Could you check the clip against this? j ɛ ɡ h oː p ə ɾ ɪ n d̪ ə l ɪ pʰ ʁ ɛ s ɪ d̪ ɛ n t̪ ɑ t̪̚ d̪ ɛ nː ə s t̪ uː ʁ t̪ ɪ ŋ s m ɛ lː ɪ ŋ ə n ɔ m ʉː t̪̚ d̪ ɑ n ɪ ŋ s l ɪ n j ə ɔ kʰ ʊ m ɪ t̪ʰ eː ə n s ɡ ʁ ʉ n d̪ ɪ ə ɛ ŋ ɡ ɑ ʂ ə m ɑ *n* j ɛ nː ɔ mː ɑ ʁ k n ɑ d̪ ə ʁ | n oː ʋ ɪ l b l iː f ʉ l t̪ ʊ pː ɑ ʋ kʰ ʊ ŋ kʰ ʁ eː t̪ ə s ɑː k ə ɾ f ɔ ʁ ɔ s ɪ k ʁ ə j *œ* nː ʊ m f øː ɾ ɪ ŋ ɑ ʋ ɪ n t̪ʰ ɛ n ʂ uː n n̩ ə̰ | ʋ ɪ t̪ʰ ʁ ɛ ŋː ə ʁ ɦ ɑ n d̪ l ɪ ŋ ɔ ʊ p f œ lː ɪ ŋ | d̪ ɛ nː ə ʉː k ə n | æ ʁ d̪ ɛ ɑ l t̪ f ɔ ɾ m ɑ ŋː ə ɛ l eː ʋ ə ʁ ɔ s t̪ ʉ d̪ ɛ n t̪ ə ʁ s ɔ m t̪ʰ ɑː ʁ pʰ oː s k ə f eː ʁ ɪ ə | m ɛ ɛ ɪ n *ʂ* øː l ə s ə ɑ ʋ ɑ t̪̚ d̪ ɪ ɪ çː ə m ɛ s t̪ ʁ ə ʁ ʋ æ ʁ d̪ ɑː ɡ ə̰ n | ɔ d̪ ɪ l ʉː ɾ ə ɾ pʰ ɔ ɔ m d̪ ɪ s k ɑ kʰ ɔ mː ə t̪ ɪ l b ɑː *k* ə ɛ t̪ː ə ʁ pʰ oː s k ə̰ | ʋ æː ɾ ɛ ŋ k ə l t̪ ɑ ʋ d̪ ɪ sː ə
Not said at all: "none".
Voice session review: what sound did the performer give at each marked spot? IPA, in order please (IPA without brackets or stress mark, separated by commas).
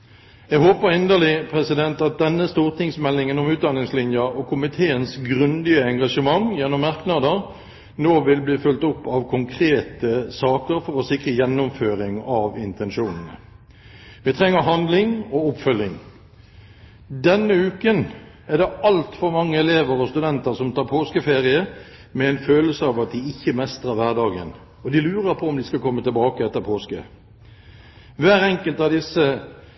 ŋ, ɛ, f, k